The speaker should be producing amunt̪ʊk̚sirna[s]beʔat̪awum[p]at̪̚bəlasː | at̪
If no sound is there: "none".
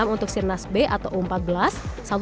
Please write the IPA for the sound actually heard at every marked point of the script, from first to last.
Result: s, p

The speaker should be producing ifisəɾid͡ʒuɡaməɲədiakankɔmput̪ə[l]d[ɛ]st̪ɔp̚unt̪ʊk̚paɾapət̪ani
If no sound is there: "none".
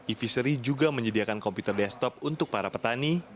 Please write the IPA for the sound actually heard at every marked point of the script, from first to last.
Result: r, ɛ

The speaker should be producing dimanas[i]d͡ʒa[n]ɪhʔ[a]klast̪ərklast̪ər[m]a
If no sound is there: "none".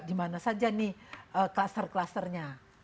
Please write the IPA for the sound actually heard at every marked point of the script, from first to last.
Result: a, n, ə, ɲ

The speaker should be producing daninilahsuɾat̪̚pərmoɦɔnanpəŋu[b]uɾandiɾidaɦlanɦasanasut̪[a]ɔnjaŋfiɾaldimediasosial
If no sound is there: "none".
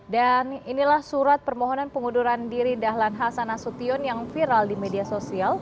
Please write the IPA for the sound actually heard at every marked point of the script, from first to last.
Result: d, i

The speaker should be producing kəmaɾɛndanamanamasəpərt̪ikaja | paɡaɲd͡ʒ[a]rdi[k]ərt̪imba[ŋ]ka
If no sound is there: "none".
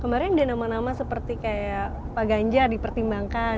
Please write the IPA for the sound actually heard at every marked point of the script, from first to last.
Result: a, p, ŋ

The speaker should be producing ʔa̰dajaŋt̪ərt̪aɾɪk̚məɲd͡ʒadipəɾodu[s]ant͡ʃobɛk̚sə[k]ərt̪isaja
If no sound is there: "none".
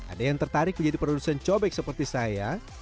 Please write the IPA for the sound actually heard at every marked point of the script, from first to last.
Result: s, p

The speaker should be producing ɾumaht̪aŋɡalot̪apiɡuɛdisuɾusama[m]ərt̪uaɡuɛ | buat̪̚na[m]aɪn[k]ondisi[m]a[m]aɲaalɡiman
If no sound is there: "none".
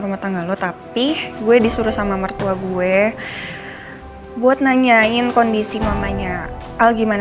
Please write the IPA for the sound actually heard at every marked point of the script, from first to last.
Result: m, ɲ, k, m, m

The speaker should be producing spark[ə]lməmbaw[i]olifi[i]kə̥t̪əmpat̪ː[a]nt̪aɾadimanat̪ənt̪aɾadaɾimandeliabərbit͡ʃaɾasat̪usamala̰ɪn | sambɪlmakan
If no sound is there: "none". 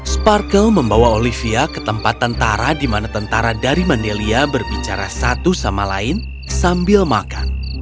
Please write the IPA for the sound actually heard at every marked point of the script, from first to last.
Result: ə, a, a, ə

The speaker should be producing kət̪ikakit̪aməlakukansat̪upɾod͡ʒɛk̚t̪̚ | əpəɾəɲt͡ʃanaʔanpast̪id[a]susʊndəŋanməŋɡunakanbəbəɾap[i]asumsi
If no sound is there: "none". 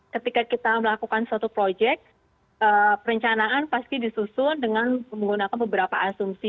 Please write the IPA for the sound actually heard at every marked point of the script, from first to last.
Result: i, a

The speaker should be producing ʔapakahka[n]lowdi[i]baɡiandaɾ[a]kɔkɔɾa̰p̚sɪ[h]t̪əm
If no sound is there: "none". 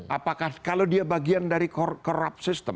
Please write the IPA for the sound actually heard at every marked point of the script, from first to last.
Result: none, a, i, s

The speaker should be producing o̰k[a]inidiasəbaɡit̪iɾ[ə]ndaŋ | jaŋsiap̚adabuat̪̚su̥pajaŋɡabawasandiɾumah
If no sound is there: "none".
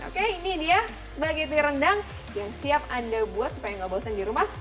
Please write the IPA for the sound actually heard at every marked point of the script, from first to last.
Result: e, ə

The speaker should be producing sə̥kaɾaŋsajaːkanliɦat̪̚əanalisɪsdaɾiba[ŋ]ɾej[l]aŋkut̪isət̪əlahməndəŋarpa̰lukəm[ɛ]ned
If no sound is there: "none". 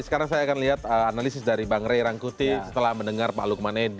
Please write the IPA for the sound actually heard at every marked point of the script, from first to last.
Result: ŋ, ɾ, a

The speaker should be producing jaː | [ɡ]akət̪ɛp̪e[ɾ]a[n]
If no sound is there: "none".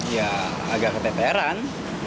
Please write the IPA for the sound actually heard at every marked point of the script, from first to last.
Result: ɡ, ɾ, n

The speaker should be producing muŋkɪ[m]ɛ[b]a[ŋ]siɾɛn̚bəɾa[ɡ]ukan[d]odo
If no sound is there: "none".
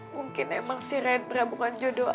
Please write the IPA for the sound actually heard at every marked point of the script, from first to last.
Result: n, m, ŋ, b, d͡ʒ

